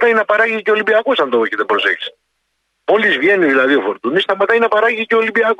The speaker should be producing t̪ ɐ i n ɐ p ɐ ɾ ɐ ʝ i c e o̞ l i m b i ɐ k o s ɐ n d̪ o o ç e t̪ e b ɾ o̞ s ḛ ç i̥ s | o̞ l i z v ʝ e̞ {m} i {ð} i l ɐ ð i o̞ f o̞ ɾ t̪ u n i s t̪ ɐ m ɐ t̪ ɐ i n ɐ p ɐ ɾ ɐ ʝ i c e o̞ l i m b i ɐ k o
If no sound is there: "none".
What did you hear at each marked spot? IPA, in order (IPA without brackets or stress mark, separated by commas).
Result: n, ð